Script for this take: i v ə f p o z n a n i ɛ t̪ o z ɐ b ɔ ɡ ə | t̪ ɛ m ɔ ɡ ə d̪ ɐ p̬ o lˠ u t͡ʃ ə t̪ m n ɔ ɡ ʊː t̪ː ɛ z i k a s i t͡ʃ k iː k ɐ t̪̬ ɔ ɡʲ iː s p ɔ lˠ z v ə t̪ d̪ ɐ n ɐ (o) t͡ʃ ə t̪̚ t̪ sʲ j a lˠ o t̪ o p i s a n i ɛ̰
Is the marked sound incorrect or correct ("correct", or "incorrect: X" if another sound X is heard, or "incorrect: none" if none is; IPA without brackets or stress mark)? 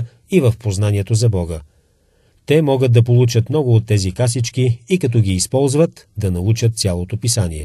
incorrect: u